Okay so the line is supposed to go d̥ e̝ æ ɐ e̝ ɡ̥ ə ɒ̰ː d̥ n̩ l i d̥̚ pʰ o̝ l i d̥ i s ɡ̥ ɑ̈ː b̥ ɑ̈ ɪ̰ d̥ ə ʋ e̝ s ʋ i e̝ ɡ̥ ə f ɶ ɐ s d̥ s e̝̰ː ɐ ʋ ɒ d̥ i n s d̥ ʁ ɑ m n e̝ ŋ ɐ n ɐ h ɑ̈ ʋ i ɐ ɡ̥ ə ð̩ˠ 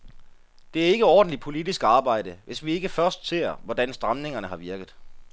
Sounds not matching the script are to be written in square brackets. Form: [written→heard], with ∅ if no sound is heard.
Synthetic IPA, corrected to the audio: d̥ e̝ æ ɐ e̝ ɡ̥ ə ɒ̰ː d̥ n̩ l i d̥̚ pʰ o̝ l i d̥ i s ɡ̥ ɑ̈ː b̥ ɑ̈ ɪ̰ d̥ ə ʋ e̝ s ʋ i e̝ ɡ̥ ə f ɶ ɐ s d̥ s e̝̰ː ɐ ʋ ɒ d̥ [i→æ] n s d̥ ʁ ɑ m n e̝ ŋ ɐ n [ɐ→ə] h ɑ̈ ʋ i ɐ ɡ̥ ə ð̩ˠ